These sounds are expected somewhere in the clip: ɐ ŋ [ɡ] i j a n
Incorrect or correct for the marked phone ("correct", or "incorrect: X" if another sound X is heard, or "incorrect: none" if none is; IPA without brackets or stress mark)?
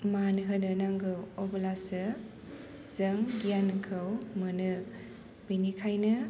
correct